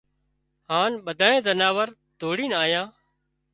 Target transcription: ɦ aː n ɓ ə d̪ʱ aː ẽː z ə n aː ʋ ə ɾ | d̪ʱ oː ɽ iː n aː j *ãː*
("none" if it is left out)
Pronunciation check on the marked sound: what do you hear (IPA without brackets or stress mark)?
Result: ãː